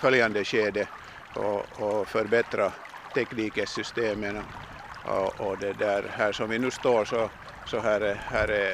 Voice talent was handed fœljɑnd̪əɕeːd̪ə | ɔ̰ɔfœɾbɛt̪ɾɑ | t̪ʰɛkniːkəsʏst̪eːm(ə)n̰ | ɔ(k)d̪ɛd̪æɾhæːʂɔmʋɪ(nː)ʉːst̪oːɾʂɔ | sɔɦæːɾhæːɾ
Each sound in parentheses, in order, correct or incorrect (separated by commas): correct, incorrect, incorrect